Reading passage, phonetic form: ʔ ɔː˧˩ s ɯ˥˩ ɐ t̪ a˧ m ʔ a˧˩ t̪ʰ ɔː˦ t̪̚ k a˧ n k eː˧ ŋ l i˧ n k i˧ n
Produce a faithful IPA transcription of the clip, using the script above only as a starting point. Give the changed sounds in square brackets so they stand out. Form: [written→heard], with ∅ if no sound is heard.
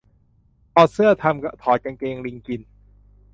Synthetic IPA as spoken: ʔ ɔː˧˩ s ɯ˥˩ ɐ [t̪→t̪ʰ] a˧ m [ʔ→k] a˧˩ t̪ʰ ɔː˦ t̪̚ k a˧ n k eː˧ ŋ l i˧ [n→ŋ] k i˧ n